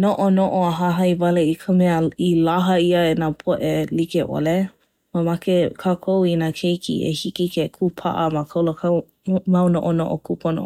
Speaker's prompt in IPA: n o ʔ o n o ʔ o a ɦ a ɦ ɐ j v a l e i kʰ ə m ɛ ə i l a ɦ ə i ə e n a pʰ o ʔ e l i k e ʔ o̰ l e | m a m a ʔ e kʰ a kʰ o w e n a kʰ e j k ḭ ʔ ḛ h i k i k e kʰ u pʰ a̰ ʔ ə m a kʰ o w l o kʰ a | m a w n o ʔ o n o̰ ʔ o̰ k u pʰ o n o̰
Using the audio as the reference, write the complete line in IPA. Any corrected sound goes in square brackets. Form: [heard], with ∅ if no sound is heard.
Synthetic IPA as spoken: n o ʔ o n o ʔ o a ɦ a ɦ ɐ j v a l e i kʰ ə m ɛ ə i l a ɦ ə i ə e n a pʰ o ʔ e l i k e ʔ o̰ l e | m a m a [k] e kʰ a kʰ o w [i] n a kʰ e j k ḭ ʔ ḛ h i k i k e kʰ u pʰ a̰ ʔ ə m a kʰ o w l o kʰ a | m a w n o ʔ o n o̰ ʔ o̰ k u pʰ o n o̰

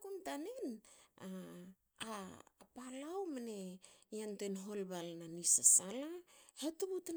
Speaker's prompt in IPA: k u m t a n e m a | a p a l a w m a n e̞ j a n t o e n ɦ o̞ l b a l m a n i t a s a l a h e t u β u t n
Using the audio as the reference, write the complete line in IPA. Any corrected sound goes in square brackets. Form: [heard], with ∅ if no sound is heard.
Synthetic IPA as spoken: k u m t a n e [n] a | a p a l a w m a n e̞ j a n t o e n ɦ o̞ l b a l [n] a n i [s] a s a l a h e t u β u t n

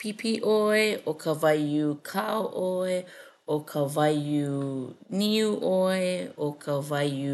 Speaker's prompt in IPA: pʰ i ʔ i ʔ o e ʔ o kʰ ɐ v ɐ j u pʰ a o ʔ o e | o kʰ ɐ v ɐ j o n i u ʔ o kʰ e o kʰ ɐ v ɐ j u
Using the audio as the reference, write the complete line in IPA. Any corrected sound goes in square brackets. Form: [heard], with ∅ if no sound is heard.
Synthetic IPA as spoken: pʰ i [p] i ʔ o e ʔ o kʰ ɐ v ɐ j u [kʰ] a o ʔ o e | o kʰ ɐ v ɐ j [u] n i u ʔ o [∅] e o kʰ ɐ v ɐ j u

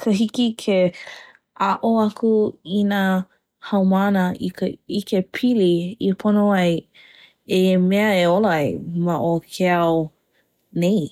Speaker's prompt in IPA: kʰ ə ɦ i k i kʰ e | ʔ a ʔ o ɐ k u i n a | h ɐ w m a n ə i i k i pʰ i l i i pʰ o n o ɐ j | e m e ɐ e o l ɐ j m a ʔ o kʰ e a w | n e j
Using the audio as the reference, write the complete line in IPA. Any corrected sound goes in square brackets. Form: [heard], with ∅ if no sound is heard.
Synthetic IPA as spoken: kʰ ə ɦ i k i kʰ e | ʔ a ʔ o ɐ k u i n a | h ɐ w m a n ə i i k [e] pʰ i l i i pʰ o n o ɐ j | e m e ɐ e o l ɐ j m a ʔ o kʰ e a w | n e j

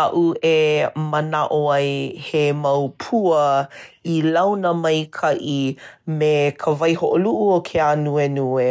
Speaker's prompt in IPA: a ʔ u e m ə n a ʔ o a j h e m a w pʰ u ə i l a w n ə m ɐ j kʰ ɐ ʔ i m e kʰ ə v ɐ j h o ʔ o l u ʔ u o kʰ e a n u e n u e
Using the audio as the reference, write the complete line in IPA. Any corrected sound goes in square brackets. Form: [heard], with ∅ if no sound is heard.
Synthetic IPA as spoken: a ʔ u e m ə n a ʔ o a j h e m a w pʰ u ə i l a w n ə m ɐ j kʰ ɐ ʔ i m e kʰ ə v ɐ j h o ʔ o l u ʔ u o kʰ e a n u e n u e

